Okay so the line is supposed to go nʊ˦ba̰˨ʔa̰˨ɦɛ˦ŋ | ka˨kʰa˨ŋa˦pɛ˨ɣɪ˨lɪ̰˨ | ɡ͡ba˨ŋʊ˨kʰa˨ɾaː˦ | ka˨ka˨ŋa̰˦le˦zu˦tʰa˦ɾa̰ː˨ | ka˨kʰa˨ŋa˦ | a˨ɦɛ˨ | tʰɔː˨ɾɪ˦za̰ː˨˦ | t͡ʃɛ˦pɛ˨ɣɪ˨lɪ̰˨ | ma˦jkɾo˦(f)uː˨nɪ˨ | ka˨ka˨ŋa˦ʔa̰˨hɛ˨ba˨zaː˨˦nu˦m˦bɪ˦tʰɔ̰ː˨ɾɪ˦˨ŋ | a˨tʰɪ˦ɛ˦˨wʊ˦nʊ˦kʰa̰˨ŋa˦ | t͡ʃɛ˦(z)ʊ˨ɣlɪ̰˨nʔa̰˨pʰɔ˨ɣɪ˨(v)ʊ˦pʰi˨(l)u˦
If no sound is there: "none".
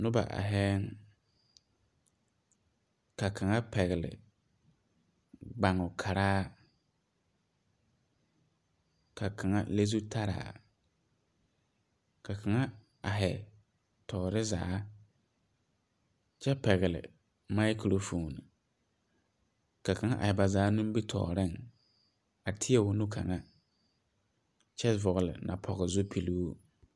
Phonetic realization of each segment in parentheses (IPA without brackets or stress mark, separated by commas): f, v, z, l